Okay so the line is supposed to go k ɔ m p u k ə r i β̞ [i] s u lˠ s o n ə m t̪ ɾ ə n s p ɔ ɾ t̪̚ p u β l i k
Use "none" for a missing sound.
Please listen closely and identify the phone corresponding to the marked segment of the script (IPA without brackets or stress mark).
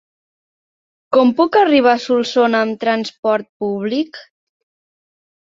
a